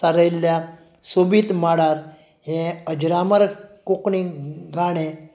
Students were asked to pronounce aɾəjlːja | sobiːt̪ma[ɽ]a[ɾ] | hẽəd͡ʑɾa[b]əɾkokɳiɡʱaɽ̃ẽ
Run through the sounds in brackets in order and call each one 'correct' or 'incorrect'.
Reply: correct, correct, incorrect: m

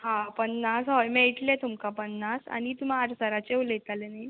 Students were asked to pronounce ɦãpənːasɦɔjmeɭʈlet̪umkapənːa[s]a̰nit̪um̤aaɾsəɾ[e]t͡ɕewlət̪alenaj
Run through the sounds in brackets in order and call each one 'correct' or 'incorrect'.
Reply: correct, incorrect: a

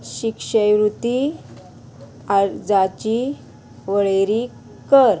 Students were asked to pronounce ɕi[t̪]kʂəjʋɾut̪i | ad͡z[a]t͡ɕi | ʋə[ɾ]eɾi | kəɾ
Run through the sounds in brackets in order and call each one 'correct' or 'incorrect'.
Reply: incorrect: none, correct, incorrect: ɭ

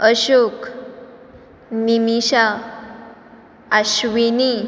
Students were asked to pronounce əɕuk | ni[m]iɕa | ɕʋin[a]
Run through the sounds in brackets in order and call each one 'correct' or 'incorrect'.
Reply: correct, incorrect: i

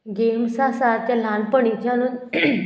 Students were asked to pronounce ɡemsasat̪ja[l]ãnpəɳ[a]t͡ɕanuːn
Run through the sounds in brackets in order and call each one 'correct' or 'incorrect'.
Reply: correct, incorrect: i

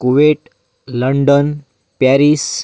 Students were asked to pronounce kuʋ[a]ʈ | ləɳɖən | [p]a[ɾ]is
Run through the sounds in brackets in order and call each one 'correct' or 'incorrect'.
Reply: incorrect: e, correct, correct

